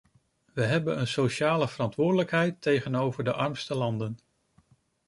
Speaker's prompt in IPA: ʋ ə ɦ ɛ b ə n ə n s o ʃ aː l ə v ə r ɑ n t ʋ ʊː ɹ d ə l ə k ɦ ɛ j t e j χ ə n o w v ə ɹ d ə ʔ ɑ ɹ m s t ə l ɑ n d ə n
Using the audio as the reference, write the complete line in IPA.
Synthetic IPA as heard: ʋ ə ɦ ɛ b ə n ə n s o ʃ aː l ə v ə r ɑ n t ʋ ʊː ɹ d ə l ə k ɦ ɛ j t e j χ ə n o w v ə ɹ d ə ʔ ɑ ɹ m s t ə l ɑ n d ə n